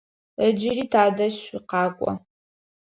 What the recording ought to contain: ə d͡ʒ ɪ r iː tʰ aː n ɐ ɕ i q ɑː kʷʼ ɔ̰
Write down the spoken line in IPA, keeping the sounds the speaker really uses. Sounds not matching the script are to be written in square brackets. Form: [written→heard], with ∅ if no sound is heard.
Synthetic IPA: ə d͡ʒ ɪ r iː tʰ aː [n→d] ɐ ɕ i q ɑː kʷʼ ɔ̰